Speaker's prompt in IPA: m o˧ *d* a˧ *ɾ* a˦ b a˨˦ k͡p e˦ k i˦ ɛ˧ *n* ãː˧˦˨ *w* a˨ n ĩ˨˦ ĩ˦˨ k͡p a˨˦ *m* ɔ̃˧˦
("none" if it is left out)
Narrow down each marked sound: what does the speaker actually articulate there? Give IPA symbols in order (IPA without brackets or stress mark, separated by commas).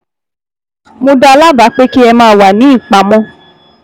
d, l, m, w, m